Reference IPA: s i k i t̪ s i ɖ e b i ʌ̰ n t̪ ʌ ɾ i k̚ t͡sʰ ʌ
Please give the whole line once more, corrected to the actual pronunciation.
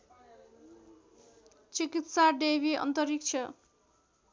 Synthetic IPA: t͡s i k i t̪ s a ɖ e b i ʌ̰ n t̪ ʌ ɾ i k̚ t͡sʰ ʌ